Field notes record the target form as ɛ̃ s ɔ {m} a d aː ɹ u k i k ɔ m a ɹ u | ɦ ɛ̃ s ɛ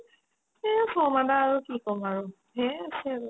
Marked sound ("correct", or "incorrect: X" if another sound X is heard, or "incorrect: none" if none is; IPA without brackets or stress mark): correct